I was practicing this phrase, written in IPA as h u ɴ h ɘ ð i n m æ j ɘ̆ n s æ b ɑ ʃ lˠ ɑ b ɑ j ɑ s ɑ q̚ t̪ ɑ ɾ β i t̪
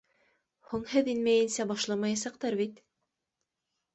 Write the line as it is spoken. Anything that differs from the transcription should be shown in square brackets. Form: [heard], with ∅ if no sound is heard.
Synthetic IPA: h u ɴ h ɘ ð i n m æ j ɘ̆ n s æ b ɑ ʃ lˠ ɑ [m] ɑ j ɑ s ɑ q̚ t̪ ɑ ɾ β i t̪